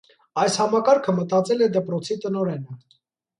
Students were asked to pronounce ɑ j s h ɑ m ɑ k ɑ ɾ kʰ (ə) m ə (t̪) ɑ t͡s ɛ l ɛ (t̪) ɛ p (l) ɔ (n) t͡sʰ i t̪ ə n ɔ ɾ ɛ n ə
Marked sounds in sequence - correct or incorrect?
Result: correct, correct, incorrect: d̪, incorrect: ɾ, incorrect: none

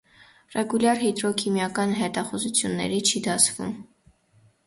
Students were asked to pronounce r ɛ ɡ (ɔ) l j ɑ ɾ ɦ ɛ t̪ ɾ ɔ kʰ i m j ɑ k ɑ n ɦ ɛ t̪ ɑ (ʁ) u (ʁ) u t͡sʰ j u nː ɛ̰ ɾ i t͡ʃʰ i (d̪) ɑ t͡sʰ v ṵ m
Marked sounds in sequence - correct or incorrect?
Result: incorrect: u, incorrect: χ, incorrect: z, correct

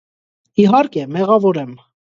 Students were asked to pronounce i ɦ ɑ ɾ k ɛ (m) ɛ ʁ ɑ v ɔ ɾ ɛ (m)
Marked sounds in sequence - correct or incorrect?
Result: correct, correct

